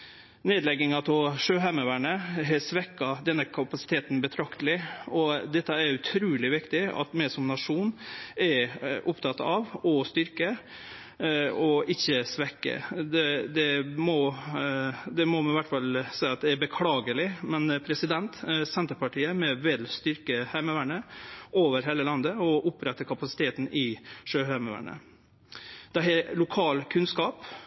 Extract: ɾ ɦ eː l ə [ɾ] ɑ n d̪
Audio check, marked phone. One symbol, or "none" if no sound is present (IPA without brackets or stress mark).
l